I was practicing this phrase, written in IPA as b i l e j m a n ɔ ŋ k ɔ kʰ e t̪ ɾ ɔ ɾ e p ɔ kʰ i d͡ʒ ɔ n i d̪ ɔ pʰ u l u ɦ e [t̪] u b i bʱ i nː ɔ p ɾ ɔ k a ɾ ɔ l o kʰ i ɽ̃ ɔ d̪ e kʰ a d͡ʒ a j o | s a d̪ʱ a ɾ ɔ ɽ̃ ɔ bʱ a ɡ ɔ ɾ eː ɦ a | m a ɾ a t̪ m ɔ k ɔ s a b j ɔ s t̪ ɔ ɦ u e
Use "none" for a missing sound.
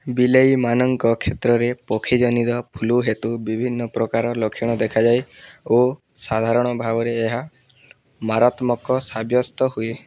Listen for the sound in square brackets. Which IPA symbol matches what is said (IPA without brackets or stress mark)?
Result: t̪